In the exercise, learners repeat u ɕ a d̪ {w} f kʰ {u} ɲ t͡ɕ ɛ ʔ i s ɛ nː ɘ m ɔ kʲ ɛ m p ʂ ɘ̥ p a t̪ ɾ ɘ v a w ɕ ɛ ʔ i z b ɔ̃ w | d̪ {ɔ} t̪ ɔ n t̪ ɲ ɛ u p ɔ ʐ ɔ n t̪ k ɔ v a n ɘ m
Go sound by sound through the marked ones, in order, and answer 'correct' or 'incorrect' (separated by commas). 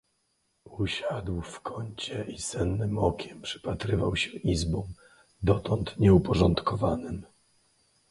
correct, incorrect, correct